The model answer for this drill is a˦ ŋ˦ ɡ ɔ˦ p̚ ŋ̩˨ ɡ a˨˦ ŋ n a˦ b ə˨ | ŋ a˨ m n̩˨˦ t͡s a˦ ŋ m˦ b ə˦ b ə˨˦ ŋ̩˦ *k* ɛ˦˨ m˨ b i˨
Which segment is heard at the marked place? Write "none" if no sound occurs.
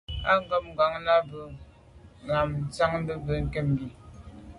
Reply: k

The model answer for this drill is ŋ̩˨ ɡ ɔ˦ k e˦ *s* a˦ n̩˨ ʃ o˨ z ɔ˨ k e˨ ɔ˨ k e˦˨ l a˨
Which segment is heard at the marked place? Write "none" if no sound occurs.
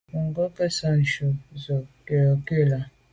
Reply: s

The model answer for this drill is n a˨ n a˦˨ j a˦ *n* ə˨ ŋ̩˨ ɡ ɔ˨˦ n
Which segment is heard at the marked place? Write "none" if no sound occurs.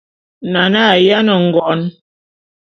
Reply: n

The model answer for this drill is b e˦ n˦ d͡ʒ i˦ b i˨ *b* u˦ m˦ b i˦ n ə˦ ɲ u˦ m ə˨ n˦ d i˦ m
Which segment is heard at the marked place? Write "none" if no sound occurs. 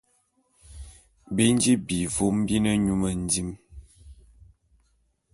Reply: v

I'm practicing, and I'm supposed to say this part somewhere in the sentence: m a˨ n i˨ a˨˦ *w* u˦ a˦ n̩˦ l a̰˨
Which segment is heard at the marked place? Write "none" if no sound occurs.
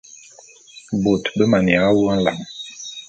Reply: w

